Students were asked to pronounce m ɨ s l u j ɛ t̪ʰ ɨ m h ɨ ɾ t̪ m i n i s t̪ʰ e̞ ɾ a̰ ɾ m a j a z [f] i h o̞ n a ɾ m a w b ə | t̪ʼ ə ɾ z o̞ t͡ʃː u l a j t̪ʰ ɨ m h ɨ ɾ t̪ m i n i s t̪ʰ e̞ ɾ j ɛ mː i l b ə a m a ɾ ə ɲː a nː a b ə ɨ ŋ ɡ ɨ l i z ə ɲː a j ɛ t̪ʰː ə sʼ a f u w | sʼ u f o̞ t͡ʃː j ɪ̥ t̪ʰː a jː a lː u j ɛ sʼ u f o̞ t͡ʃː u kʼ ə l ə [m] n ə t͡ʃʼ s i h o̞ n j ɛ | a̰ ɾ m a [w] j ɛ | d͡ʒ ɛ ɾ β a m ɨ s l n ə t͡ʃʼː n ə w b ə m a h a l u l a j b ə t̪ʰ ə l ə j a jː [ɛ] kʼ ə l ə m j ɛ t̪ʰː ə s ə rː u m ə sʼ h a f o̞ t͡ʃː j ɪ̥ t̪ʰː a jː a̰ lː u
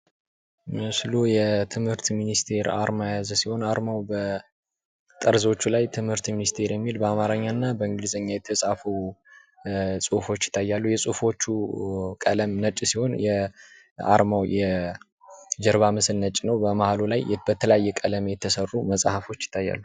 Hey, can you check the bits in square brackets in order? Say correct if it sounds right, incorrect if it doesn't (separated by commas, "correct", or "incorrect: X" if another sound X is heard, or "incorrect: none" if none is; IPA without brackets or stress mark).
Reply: incorrect: s, correct, correct, correct